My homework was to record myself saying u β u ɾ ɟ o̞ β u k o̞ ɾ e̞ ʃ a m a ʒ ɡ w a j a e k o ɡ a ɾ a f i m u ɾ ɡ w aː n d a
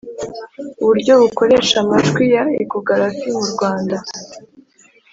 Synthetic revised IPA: u β u ɾ ɟ o̞ β u k o̞ ɾ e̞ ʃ a m a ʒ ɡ w i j a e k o ɡ a ɾ a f i m u ɾ ɡ w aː n d a

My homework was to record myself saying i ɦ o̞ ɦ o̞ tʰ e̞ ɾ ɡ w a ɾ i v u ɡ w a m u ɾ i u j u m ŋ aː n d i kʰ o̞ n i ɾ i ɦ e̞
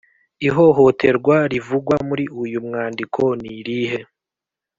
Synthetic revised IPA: i ɦ o̞ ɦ o̞ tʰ e̞ ɾ ɡ w a ɾ i v u ɡ w a m u ɾ i u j u m ŋ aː n d i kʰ o̞ n i ɾ i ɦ e̞

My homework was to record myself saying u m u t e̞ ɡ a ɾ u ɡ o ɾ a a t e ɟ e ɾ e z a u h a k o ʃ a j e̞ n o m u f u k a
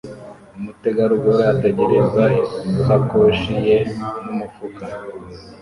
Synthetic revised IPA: u m u t e̞ ɡ a ɾ u ɡ o ɾ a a t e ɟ e ɾ e z a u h a k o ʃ i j e̞ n u m u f u k a

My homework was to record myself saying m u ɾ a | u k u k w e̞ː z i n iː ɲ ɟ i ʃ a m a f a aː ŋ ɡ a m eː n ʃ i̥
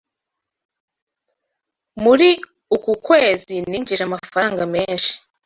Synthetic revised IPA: m u ɾ i | u k u k w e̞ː z i n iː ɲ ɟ i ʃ a m a f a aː ŋ ɡ a m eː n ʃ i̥

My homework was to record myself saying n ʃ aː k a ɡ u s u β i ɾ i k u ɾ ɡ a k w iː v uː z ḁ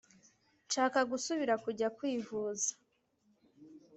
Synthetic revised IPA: n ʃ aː k a ɡ u s u β i ɾ a k u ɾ ɟ a k w iː v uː z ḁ

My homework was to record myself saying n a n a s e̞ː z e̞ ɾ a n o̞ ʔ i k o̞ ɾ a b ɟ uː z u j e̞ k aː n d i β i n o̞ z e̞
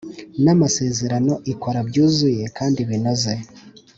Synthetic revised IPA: n a m a s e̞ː z e̞ ɾ a n o̞ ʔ i k o̞ ɾ a b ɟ uː z u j e̞ k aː n d i β i n o̞ z e̞

